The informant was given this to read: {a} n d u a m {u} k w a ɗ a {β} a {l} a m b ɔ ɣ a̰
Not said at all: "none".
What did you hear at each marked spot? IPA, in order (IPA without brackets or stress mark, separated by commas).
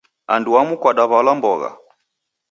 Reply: a, u, β, l